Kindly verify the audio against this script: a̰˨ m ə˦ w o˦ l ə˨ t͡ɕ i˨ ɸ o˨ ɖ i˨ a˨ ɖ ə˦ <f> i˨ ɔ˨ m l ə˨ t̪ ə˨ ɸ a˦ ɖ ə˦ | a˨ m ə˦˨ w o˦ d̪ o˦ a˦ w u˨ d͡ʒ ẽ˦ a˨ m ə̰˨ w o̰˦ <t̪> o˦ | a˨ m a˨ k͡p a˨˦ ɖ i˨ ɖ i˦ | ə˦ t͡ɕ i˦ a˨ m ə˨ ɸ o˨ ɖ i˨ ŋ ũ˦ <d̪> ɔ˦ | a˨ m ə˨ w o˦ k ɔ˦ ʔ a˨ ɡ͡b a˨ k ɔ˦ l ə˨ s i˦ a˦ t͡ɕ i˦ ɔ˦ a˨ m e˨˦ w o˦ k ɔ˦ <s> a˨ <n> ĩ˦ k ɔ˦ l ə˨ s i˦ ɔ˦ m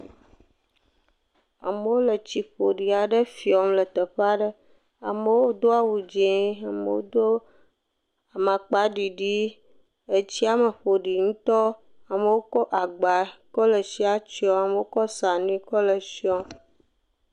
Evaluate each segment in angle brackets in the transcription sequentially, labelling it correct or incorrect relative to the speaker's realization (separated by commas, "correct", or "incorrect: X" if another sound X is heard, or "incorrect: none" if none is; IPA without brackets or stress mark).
correct, incorrect: d̪, incorrect: t̪, correct, correct